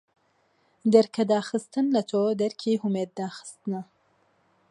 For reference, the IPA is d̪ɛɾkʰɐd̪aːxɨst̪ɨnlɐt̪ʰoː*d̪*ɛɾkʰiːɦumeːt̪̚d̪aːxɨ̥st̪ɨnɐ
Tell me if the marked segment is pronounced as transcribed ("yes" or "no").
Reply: yes